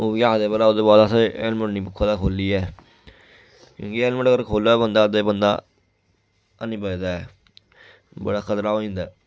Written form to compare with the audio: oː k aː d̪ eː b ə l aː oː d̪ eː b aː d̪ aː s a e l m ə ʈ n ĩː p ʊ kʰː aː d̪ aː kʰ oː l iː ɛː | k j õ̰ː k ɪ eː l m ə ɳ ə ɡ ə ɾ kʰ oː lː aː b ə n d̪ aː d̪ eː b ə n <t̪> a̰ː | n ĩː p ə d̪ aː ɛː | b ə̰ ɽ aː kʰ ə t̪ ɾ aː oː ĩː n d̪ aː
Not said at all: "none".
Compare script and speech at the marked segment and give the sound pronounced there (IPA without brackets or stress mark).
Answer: d̪